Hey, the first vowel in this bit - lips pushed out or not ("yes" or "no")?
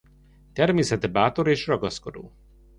no